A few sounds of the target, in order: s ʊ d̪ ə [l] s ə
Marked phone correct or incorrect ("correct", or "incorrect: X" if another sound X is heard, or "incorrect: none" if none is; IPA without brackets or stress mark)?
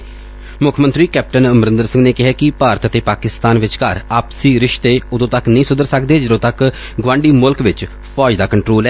incorrect: ɾ